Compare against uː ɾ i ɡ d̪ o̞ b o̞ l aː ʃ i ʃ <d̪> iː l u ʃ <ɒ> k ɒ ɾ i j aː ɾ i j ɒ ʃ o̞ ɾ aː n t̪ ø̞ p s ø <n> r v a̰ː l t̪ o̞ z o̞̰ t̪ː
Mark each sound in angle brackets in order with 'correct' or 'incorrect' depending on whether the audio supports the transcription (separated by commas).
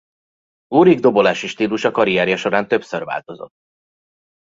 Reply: incorrect, correct, incorrect